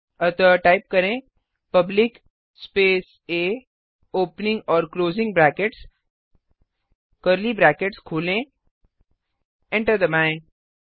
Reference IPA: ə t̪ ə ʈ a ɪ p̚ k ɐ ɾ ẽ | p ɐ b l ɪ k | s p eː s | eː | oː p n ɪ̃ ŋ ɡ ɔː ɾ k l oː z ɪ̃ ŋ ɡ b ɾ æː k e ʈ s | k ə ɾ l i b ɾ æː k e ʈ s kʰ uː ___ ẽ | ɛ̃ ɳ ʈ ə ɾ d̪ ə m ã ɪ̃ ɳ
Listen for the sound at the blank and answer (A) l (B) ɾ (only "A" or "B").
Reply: A